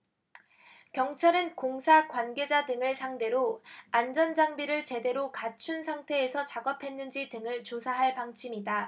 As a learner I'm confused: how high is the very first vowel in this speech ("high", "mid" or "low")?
mid